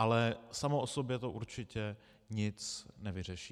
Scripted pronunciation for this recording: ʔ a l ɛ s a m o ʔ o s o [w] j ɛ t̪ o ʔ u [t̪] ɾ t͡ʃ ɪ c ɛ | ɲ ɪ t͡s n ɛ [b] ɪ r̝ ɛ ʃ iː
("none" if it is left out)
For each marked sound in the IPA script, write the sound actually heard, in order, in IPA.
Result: b, none, v

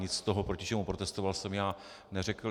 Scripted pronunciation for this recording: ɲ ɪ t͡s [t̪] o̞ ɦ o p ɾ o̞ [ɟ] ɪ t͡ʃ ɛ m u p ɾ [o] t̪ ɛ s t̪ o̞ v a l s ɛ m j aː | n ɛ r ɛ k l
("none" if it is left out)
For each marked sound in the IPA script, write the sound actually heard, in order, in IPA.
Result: t̪, c, o

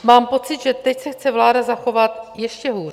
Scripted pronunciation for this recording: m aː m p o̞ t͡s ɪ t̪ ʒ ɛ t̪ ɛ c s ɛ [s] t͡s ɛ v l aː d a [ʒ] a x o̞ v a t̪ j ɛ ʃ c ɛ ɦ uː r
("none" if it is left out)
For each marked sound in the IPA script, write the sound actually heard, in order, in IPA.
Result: x, z

